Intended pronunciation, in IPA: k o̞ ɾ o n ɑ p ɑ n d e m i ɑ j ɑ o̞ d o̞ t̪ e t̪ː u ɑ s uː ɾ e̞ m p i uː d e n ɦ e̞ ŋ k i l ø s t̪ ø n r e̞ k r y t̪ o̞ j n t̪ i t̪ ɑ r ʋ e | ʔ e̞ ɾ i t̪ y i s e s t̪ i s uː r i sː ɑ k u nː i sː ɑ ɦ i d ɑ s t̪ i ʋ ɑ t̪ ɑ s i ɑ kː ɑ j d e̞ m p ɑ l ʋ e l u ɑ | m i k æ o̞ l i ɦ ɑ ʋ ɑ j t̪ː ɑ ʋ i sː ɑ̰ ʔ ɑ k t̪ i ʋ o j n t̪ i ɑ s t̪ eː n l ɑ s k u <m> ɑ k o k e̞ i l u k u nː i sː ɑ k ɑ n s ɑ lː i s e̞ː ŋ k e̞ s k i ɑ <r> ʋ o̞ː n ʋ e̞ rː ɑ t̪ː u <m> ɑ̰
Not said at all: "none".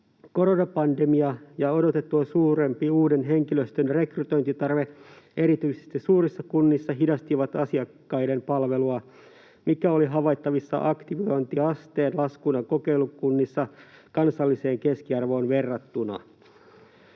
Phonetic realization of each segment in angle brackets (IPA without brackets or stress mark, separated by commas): n, r, n